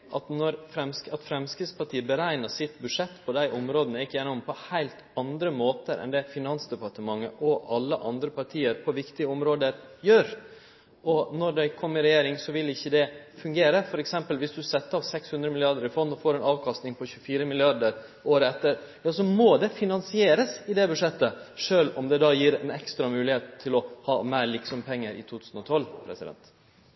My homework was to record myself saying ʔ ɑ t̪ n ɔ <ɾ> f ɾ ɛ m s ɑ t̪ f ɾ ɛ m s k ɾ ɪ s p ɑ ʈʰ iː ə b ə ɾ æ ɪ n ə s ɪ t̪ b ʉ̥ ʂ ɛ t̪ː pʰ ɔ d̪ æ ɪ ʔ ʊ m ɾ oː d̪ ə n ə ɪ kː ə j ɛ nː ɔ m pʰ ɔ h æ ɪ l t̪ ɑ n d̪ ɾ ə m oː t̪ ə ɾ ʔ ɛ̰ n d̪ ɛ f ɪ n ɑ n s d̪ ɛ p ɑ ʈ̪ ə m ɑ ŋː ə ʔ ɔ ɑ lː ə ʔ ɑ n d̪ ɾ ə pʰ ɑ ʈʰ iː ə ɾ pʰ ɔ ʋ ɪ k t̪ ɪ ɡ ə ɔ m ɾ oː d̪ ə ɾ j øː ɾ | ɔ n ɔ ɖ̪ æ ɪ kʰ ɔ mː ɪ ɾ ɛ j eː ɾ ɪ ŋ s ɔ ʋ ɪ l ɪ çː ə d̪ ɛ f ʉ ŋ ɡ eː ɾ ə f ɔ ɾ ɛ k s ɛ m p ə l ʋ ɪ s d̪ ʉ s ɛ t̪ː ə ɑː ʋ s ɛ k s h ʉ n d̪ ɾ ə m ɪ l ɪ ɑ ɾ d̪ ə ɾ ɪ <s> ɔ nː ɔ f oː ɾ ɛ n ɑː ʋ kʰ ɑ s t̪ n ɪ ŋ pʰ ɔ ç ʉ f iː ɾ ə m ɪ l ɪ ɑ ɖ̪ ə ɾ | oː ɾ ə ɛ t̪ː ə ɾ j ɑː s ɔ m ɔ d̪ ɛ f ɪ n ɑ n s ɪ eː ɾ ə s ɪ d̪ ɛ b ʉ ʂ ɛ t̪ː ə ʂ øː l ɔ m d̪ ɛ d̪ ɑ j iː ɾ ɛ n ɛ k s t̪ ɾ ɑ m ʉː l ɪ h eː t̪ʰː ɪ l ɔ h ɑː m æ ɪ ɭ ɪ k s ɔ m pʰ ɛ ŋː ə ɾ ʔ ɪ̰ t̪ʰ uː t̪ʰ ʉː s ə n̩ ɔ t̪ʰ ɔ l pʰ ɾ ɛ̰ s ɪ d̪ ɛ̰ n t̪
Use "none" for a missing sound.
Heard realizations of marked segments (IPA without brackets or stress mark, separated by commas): ɾ, f